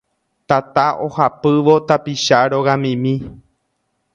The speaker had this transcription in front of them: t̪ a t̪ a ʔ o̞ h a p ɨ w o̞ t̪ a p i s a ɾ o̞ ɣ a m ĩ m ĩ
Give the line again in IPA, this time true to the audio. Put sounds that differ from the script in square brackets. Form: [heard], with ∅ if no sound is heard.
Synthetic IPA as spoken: t̪ a t̪ a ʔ o̞ h a p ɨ [ʋ] o̞ t̪ a p i [ʃ] a ɾ o̞ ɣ a m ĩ m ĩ